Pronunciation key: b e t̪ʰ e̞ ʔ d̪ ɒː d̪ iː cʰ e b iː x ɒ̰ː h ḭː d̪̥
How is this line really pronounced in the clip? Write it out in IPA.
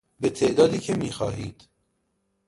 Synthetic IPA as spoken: b e t̪ʰ e̞ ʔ d̪ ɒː d̪ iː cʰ e m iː x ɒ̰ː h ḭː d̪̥